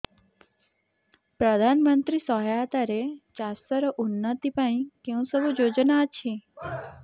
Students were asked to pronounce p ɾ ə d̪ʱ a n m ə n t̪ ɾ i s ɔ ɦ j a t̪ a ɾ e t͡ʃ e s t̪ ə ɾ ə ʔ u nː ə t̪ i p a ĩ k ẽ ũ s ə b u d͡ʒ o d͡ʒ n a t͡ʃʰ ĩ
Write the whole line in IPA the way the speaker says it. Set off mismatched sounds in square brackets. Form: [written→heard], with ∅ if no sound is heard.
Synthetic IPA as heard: p ɾ ə d̪ʱ a n m ə n t̪ ɾ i s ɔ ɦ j a t̪ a ɾ e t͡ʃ [e→a] s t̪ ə ɾ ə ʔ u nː ə t̪ i p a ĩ k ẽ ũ s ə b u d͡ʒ o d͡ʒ n a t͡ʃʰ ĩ